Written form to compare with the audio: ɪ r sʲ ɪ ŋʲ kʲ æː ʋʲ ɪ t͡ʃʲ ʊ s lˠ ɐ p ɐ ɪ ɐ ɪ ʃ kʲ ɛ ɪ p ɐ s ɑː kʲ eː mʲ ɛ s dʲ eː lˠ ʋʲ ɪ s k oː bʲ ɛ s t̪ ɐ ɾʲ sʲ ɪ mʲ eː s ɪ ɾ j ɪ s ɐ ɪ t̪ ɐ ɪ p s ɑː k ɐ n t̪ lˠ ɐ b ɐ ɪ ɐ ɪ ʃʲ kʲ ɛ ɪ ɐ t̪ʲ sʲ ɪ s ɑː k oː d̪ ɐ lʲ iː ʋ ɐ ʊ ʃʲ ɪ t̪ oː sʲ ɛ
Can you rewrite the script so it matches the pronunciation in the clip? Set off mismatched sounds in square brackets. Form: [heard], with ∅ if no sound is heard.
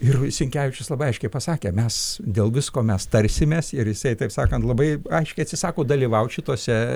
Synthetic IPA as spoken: ɪ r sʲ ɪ ŋʲ kʲ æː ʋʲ ɪ t͡ʃʲ ʊ s lˠ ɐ [b] ɐ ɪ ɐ ɪ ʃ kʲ ɛ ɪ p ɐ s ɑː kʲ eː mʲ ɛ s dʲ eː lˠ ʋʲ ɪ s k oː [mʲ] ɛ s t̪ ɐ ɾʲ sʲ ɪ mʲ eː s ɪ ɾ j ɪ s ɐ ɪ t̪ ɐ ɪ p s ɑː k ɐ n t̪ lˠ ɐ b ɐ ɪ ɐ ɪ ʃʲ kʲ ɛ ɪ ɐ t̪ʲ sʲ ɪ s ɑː k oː d̪ ɐ lʲ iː ʋ ɐ ʊ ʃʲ ɪ t̪ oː sʲ ɛ